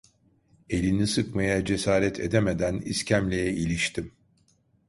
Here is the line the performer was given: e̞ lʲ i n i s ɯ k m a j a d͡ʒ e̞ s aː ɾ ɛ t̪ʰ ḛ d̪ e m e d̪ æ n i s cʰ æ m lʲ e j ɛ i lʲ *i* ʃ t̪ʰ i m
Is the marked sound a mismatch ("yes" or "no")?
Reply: no